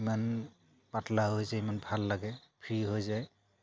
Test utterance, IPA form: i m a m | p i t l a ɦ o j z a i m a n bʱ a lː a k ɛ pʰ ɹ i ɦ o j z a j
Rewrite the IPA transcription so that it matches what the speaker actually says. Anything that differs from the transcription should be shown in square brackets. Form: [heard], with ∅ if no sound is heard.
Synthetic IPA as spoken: i m a [n] | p [a] t l a ɦ o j z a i m a n bʱ a lː a [ɡ] ɛ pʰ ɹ i ɦ o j z a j

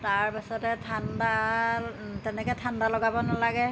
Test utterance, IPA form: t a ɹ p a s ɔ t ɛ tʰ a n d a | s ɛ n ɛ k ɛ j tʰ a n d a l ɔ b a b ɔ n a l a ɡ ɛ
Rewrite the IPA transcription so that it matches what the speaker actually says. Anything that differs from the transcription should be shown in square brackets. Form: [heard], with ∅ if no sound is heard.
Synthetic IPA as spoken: t a ɹ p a s ɔ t ɛ tʰ a n d a | [t] ɛ n ɛ k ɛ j tʰ a n d a l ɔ [ɡ] a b ɔ n a l a ɡ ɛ

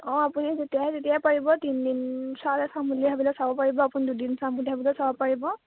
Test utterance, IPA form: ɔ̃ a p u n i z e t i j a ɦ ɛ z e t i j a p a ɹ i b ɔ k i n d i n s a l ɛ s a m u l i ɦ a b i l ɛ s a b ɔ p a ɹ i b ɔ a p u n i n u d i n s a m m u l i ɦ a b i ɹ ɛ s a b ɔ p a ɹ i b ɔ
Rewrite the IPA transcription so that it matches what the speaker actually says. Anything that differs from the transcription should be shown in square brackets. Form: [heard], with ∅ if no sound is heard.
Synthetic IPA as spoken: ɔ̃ a p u n i z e t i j a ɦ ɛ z e t i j a p a ɹ i b ɔ [t] i n d i n s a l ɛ s a m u l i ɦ a b i l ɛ s a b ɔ p a ɹ i b ɔ a p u n i [d] u d i n s a m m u l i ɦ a b i [l] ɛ s a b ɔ p a ɹ i b ɔ

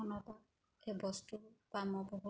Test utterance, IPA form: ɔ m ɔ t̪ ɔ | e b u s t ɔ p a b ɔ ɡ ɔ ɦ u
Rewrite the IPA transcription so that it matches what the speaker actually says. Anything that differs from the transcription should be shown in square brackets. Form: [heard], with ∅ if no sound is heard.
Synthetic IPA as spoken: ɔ [n] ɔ t̪ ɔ | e b [ɔ] s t [u] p a [m] ɔ [b] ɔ ɦ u

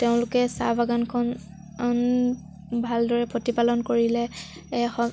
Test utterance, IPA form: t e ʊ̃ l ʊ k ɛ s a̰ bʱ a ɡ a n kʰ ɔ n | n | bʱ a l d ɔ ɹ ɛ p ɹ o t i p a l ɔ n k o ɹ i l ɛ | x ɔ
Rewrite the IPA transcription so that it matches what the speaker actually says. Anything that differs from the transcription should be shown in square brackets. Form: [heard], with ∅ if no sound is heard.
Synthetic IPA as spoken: t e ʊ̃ l ʊ k ɛ s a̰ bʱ a ɡ a n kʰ ɔ n | n | bʱ a l d ɔ ɹ ɛ p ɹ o t i p a l ɔ n k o ɹ i l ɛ | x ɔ

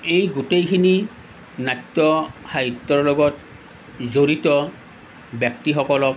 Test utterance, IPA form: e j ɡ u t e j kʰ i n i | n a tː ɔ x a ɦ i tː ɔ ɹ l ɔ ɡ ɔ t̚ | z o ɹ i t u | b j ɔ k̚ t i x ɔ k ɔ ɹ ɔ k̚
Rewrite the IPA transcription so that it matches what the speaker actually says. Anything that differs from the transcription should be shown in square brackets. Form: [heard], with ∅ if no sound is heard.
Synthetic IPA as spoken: e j ɡ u t e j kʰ i n i | n a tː ɔ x a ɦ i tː ɔ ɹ l ɔ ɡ ɔ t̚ | z o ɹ i t [ɔ] | b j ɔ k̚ t i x ɔ k ɔ [l] ɔ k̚

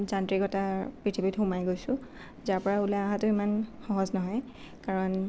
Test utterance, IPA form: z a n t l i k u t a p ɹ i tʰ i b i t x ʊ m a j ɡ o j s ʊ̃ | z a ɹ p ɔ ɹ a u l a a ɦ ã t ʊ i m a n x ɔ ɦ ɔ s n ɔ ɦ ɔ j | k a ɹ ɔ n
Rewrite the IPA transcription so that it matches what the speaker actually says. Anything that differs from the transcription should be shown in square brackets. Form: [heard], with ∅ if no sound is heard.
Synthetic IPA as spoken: z a n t [ɹ] i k [ɔ] t a p ɹ i tʰ i b i t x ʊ m a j ɡ o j s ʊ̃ | z a ɹ p ɔ ɹ a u l a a ɦ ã t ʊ i m a n x ɔ ɦ ɔ [z] n ɔ ɦ ɔ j | k a ɹ ɔ n

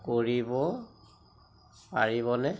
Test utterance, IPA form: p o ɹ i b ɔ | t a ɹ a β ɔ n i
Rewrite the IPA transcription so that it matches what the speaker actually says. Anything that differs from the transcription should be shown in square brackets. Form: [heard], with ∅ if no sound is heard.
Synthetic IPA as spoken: [k] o ɹ i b ɔ | [p] a ɹ [i] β ɔ n [ɛ]

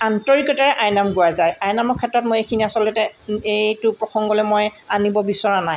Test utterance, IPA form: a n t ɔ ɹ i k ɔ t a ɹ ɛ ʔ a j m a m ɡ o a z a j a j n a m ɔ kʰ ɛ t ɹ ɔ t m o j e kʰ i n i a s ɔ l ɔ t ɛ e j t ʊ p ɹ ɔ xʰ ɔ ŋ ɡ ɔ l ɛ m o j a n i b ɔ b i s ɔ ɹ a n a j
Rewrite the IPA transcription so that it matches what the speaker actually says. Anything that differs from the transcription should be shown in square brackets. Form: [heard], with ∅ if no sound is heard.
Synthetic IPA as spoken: a n t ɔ ɹ i k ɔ t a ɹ ɛ ʔ a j [n] a m ɡ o a z a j a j n a m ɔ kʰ ɛ t ɹ ɔ t m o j e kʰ i n i a s ɔ l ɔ t ɛ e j t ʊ p ɹ ɔ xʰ ɔ ŋ ɡ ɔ l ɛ m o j a n i b ɔ b i s ɔ ɹ a n a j

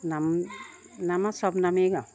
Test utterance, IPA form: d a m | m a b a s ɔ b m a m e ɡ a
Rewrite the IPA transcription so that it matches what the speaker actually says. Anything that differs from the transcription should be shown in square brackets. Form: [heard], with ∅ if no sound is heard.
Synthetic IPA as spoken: [n] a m | [n] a [m] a s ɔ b [n] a m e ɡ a

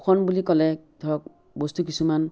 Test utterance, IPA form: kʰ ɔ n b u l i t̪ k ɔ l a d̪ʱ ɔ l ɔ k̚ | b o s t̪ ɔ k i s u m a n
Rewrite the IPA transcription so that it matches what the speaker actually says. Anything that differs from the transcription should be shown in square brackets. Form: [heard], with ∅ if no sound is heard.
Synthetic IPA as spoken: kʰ ɔ n b u l i [∅] k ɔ l [ɛ] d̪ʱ ɔ [ɹ] ɔ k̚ | b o s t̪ [u] k i s u m a n

